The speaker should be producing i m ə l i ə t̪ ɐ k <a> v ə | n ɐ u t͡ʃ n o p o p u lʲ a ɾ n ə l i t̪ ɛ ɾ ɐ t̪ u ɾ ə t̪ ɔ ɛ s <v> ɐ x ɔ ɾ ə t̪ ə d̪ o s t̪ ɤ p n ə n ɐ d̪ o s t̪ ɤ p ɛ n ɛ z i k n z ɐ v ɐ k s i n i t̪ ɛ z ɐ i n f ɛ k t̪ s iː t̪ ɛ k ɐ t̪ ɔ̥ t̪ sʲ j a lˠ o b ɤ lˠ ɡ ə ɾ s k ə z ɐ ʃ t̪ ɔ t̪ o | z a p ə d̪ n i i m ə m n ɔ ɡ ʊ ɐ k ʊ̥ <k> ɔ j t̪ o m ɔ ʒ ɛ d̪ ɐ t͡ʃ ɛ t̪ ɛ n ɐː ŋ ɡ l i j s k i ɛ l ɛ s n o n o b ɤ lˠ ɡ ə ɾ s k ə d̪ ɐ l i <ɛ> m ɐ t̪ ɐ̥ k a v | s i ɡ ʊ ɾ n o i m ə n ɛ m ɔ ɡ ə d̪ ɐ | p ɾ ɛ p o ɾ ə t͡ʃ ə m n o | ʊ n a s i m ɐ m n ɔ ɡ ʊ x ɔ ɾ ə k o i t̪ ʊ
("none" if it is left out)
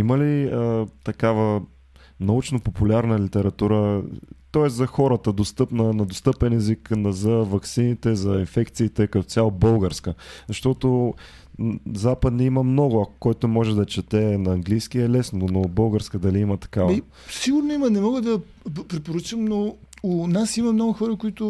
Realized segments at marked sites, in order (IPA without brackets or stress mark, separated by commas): a, z, k, i